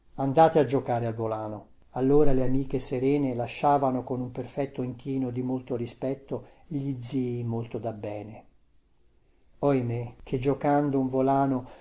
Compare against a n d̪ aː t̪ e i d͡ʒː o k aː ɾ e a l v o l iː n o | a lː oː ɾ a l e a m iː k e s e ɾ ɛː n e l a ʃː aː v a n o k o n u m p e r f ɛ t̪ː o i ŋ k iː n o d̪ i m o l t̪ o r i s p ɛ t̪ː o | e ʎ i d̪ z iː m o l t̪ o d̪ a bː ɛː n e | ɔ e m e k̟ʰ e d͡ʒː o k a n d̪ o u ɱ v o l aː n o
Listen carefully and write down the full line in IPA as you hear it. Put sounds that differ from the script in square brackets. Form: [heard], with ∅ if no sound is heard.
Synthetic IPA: a n d̪ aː t̪ e [a] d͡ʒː o k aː ɾ e a l v o l [aː] n o | a lː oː ɾ a l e a m iː k e s e ɾ ɛː n e l a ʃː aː v a n o k o n u m p e r f ɛ t̪ː o i ŋ k iː n o d̪ i m o l t̪ o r i s p ɛ t̪ː o | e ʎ i d̪ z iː m o l t̪ o d̪ a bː ɛː n e | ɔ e m e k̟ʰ e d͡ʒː o k a n d̪ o u ɱ v o l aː n o